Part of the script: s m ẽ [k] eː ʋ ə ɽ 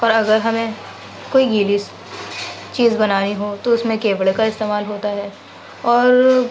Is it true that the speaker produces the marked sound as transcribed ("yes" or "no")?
yes